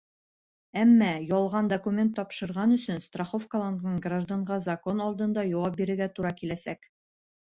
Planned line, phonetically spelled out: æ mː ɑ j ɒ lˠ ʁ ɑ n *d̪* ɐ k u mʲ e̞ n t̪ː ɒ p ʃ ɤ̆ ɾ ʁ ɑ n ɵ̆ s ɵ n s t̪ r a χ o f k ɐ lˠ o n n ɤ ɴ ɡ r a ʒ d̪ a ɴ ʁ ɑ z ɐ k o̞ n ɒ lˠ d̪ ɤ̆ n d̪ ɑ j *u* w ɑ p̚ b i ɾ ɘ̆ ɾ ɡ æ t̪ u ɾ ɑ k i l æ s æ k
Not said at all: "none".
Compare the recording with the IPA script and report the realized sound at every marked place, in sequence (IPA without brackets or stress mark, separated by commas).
d̪, ɒ